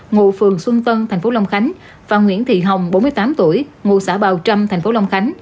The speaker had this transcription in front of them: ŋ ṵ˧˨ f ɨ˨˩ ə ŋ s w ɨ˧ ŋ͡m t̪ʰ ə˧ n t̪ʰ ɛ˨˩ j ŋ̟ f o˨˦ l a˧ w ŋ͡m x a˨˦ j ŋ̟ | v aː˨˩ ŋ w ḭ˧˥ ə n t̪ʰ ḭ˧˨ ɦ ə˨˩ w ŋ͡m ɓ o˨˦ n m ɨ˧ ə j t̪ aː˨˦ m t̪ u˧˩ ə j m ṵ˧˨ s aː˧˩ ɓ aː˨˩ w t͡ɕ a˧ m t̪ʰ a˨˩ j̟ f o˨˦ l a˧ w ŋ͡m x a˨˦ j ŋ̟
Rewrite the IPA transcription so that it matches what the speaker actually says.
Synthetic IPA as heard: ŋ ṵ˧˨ f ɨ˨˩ ə ŋ s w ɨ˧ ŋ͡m t̪ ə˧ n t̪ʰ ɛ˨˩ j ŋ̟ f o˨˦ l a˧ w ŋ͡m x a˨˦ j ŋ̟ | v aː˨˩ ŋ w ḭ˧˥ ə n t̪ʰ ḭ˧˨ ɦ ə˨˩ w ŋ͡m ɓ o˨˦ n m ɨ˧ ə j t̪ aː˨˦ m t̪ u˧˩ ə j ŋ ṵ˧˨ s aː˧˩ ɓ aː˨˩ w t͡ɕ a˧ m t̪ʰ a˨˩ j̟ f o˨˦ l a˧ w ŋ͡m x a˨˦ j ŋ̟